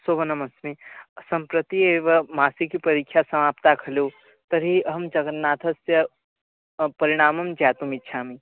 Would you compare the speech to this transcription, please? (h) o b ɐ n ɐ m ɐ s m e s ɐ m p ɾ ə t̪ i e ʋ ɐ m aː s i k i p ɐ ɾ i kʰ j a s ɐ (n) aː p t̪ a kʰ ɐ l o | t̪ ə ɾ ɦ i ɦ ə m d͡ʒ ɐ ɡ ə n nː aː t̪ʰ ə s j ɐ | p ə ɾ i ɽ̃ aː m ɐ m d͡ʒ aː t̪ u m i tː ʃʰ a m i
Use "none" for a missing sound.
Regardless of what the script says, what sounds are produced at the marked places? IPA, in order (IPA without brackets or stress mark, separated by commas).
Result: s, m